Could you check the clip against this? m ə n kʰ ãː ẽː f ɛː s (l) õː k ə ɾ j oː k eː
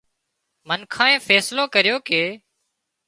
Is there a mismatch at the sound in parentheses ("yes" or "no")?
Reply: no